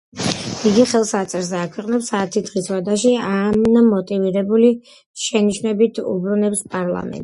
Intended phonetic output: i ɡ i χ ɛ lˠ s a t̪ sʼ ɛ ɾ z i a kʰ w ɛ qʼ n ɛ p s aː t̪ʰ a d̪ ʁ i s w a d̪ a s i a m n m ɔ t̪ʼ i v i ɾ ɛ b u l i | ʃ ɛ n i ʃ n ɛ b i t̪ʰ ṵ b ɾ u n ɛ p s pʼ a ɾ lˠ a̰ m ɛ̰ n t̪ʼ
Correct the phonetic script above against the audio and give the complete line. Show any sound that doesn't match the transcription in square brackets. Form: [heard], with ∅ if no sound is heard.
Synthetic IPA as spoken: i ɡ i χ ɛ lˠ s a t̪ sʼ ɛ ɾ z [ɛ] a kʰ w ɛ qʼ n ɛ p s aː t̪ʰ [i] d̪ ʁ i s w a d̪ a [ʃ] i a m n m ɔ t̪ʼ i v i ɾ ɛ b u l i | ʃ ɛ n i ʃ n ɛ b i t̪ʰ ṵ b ɾ u n ɛ p s pʼ a ɾ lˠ a̰ m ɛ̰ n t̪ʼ